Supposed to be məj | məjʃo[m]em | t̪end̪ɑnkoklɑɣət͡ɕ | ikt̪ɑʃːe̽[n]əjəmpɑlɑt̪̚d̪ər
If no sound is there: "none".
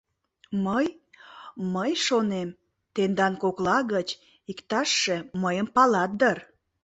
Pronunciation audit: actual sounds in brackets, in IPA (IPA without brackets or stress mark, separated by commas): n, m